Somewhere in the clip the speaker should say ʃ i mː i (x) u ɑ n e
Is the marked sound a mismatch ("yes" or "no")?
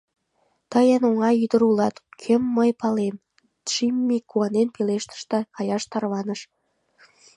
yes